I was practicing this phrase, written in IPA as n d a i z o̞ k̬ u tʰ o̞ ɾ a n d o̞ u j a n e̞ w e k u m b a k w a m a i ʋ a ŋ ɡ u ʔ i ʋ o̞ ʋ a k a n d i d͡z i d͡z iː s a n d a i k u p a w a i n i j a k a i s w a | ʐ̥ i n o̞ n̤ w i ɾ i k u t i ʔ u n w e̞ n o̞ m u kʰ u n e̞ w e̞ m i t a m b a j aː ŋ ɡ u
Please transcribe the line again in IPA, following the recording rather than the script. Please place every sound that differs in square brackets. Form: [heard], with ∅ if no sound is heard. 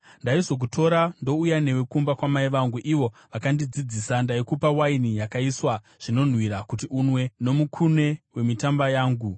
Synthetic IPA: n d a i z o̞ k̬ u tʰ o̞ ɾ a n d o̞ u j a n e̞ w e k u m b a k w a m a i ʋ a ŋ ɡ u ʔ i ʋ o̞ ʋ a k a n d i d͡z i d͡z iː s a n d a i k u p a w a i n i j a k a i s w a | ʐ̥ i n o̞ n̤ w i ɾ [a] k u t i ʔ u n w e̞ n o̞ m u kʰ u n e̞ w e̞ m i t a m b a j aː ŋ ɡ u